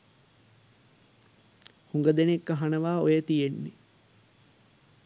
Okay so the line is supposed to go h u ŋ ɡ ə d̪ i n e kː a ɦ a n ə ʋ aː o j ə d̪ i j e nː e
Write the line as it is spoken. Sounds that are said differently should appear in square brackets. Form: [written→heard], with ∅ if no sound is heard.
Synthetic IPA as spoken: h u ŋ ɡ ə d̪ [i→e] n e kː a ɦ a n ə ʋ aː o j ə [d̪→t̪] i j e nː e